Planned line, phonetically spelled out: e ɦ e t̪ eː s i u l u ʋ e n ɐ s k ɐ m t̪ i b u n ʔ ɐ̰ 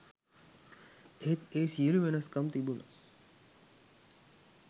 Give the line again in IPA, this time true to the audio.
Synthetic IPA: e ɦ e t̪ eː s i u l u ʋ e n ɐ s k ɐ m t̪ i b u n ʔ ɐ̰

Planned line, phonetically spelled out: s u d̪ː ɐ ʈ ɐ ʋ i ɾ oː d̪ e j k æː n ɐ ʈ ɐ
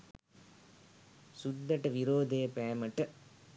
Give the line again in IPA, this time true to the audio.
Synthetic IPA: s u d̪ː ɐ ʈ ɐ ʋ i ɾ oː d̪ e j p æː m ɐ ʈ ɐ

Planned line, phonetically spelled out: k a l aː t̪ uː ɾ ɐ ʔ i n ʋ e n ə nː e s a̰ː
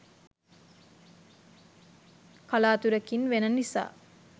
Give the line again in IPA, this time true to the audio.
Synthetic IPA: k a l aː t̪ u ɾ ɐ k i n ʋ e n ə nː i s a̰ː

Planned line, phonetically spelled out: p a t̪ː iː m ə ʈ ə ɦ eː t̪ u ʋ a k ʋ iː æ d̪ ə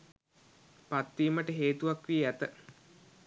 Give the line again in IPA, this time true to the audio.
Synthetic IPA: p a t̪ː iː m ə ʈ ə ɦ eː t̪ u ʋ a k ʋ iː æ t̪ ə

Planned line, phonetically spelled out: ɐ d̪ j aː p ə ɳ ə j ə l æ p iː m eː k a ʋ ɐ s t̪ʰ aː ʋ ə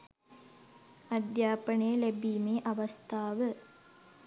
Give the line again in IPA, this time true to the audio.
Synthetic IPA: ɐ d̪ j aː p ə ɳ ə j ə l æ b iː m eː ʔ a ʋ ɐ s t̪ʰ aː ʋ ə

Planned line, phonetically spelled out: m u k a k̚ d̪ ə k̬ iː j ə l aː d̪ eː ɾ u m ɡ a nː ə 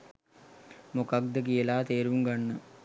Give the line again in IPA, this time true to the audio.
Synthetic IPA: m o k a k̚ d̪ ə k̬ i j ə l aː t̪ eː ɾ u ŋ ɡ a nː ə

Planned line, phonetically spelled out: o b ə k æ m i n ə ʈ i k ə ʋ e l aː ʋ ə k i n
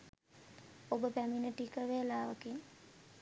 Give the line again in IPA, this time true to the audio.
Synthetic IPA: o b ə p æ m i n ə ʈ i k ə ʋ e l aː ʋ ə k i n

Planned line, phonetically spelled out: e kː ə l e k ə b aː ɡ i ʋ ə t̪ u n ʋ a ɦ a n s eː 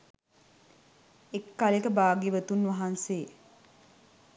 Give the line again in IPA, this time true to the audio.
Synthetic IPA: e kː a l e k ə b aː ɡ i ʋ ə t̪ u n ʋ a ɦ a n s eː

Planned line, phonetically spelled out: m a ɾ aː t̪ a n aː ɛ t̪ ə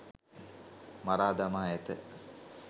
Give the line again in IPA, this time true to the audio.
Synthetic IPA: m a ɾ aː d̪ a m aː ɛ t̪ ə

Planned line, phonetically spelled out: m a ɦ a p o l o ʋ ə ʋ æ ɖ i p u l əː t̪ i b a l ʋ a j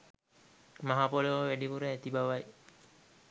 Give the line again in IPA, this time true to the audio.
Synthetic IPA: m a ɦ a p o l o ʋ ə ʋ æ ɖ i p u ɾ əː t̪ i b a ʋ a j

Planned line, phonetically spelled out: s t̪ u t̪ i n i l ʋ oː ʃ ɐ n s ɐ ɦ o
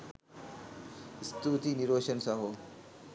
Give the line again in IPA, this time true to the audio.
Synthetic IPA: s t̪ u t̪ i n i ɾ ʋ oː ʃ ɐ n s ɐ ɦ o

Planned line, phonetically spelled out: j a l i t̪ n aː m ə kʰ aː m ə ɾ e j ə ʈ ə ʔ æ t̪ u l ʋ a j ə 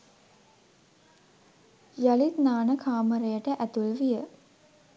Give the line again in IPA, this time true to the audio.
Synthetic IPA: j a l i t̪ n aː n ə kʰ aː m ə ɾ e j ə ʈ ə ʔ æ t̪ u l ʋ i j ə

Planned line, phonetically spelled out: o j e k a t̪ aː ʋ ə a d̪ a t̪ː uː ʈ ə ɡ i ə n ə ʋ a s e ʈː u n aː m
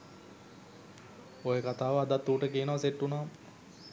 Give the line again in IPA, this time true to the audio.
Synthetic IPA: o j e k a t̪ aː ʋ ə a d̪ a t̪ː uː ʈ ə k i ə n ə ʋ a s e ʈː u n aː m

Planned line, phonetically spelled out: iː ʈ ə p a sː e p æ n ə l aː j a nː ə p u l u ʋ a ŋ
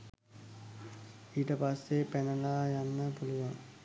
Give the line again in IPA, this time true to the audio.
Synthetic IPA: iː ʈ ə p a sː e p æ n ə l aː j a nː ə p u l u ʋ a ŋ

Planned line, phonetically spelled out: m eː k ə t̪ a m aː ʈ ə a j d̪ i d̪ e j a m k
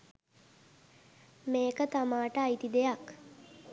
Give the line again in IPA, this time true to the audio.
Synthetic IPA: m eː k ə t̪ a m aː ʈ ə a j t̪ i d̪ e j a k

